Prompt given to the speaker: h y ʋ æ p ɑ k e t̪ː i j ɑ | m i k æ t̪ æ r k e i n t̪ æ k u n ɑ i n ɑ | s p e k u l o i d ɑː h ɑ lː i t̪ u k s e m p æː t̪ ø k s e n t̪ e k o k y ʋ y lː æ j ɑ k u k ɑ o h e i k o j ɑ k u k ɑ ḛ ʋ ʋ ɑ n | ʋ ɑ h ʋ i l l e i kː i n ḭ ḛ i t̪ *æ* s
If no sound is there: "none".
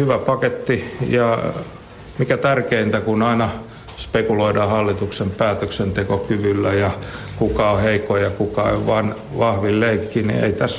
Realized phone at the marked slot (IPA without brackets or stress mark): æ